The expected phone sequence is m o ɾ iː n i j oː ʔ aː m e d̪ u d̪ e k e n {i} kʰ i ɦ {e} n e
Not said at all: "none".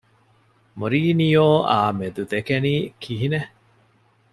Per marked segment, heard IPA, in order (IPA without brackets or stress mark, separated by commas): iː, i